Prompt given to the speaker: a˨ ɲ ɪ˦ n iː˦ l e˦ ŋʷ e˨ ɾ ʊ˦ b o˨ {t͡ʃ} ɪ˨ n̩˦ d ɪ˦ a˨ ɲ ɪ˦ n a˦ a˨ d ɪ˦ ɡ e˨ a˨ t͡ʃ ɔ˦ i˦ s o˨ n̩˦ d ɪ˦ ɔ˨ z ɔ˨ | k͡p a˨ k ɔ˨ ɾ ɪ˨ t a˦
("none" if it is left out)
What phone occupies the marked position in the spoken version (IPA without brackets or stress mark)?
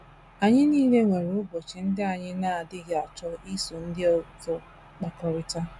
t͡ʃ